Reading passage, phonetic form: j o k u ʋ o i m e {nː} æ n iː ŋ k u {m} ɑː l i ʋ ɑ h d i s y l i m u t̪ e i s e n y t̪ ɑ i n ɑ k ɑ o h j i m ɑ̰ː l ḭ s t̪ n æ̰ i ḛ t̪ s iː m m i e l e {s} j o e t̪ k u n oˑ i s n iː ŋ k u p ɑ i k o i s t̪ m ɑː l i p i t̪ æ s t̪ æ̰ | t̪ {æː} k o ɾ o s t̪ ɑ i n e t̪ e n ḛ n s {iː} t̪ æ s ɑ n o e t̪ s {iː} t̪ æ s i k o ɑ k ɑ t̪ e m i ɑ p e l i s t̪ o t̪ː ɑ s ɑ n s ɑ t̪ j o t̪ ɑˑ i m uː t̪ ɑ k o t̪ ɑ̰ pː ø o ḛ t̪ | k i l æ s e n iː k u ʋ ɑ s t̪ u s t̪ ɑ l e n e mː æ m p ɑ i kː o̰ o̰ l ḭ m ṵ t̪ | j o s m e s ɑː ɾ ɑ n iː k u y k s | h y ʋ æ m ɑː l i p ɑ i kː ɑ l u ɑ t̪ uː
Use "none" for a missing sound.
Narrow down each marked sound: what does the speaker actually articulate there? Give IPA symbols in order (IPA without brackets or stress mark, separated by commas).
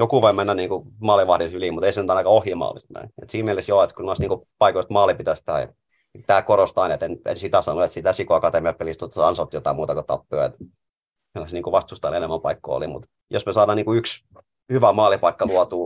nː, m, s, æː, i, i